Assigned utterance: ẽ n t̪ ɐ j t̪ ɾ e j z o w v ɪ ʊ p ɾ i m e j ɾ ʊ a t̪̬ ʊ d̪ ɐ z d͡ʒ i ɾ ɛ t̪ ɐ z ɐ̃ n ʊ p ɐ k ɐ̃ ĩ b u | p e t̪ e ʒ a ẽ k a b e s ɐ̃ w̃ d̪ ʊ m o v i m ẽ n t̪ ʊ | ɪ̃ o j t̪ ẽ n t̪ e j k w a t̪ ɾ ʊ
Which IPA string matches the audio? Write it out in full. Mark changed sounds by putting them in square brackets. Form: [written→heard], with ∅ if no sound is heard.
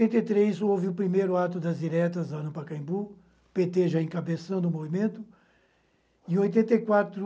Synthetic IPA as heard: ẽ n t̪ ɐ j t̪ ɾ e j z o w v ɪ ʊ p ɾ i m e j ɾ ʊ a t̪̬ ʊ d̪ ɐ z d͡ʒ i ɾ ɛ t̪ ɐ z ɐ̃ n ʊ p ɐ k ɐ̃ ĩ b u | p e t̪ e ʒ a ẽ k a b e s ɐ̃ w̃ d̪ ʊ m o v i m ẽ n t̪ ʊ | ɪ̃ o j t̪ ẽ n t̪ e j k w a t̪ ɾ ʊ